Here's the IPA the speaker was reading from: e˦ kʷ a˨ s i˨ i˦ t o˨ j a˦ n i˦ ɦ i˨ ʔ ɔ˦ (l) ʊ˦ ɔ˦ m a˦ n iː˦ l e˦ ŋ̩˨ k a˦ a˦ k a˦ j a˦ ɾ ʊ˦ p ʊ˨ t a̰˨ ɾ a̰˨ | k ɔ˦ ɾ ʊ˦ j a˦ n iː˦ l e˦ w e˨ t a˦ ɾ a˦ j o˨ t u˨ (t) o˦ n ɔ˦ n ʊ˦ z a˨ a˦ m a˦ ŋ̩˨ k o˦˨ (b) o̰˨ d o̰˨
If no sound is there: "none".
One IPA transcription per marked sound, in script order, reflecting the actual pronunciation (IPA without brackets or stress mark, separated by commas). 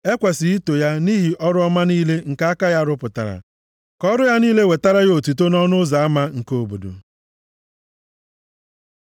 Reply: ɾ, t, b